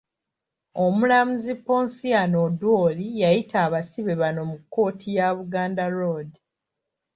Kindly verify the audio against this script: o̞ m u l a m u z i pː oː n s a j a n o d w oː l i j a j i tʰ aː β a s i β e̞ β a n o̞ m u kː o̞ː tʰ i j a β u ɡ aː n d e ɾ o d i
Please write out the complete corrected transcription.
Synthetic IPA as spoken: o̞ m u l a m u z i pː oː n s i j a n o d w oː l i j a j i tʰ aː β a s i β e̞ β a n o̞ m u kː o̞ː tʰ i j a β u ɡ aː n d a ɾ o d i